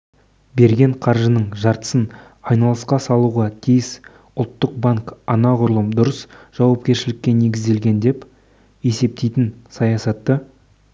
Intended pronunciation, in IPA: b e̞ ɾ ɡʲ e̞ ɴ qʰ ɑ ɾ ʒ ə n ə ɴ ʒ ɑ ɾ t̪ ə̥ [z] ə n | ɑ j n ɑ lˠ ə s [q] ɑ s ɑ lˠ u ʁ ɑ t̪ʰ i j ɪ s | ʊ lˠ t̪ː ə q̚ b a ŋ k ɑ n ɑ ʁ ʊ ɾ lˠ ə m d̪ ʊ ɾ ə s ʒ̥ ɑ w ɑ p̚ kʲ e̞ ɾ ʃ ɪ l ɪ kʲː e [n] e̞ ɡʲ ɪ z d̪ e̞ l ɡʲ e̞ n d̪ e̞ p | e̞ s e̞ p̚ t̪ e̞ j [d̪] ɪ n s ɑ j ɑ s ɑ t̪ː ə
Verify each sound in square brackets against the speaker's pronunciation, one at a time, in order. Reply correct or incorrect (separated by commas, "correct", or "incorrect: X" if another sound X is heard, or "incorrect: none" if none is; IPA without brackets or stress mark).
incorrect: s, correct, correct, incorrect: t̪